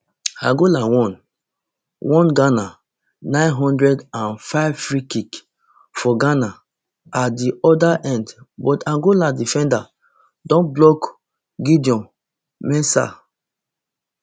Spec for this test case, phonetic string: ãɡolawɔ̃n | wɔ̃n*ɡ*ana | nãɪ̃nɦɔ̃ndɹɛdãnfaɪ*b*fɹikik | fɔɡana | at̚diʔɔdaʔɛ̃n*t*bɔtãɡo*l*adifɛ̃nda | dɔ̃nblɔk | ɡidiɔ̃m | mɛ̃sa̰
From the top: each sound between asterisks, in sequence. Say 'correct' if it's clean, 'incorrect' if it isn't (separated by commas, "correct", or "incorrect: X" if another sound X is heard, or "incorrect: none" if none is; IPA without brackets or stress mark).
correct, incorrect: v, incorrect: d, correct